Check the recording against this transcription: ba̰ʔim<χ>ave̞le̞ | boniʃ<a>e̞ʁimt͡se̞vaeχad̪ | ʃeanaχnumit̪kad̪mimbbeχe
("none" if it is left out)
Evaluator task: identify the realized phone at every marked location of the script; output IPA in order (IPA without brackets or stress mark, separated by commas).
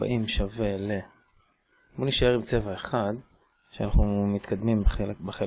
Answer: ʃ, a